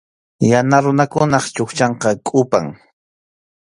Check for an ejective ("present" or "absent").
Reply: present